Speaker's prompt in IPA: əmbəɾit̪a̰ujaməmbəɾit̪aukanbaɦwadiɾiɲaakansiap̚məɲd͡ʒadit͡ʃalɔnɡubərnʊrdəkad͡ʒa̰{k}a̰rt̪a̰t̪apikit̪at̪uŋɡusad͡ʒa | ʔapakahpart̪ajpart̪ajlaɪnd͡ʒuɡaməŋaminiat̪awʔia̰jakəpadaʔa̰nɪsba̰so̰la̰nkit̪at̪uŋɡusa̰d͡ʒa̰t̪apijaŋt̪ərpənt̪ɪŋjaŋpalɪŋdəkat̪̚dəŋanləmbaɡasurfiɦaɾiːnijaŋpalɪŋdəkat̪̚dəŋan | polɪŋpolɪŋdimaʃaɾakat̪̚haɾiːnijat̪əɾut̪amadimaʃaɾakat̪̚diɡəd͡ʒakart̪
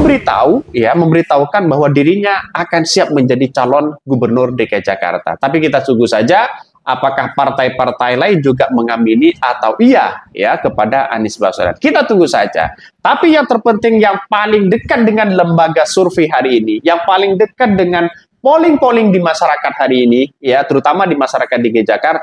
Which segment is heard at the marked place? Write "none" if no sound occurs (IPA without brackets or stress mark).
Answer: k